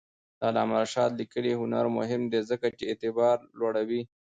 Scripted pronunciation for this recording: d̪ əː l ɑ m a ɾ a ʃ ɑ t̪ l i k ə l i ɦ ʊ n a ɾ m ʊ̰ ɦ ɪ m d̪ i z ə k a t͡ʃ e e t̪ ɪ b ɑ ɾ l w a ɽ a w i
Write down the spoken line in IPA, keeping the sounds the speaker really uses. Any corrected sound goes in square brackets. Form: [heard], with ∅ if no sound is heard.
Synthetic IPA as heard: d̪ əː l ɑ m a ɾ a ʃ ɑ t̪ l i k ə l i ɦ ʊ n a ɾ m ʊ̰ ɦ ɪ m d̪ [e] z ə k a t͡ʃ e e t̪ ɪ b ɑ ɾ l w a ɽ a w i